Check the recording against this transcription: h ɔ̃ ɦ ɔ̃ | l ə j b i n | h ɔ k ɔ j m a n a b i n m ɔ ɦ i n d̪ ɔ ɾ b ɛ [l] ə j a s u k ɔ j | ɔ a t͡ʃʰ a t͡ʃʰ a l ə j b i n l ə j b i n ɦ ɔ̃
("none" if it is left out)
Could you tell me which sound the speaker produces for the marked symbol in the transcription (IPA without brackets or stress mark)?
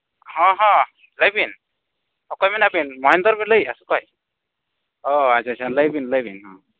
l